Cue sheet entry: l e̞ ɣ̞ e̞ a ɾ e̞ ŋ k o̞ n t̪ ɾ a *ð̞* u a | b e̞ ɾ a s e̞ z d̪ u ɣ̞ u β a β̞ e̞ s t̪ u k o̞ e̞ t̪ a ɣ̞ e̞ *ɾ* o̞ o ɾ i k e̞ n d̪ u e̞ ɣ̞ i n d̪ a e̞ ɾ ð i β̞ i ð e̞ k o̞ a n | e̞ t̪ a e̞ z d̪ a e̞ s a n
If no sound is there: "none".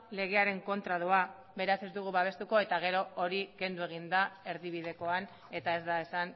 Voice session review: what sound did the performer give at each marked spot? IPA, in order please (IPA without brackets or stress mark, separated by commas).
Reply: ð̞, ɾ